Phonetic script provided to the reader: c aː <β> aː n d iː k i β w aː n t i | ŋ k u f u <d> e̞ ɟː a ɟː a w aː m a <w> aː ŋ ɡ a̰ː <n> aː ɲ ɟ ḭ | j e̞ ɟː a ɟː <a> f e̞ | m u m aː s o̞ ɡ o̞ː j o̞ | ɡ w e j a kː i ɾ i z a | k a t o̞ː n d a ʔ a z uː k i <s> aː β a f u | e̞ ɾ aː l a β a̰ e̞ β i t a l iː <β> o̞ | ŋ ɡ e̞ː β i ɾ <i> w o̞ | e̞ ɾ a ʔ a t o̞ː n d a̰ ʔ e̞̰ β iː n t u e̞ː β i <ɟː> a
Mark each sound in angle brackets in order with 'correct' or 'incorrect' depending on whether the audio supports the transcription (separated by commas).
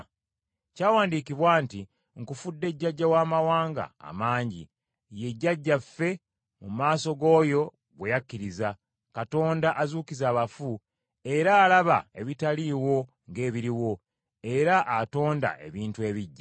incorrect, incorrect, correct, incorrect, correct, incorrect, incorrect, correct, correct